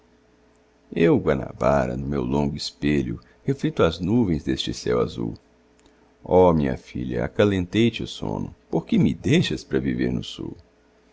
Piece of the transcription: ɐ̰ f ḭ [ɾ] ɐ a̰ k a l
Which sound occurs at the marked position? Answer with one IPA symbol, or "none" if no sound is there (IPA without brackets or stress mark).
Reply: ʎ